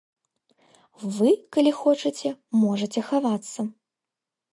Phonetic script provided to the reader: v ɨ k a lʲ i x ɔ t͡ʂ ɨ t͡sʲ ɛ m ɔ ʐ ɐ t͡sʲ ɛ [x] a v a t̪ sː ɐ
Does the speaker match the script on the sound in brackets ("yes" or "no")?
yes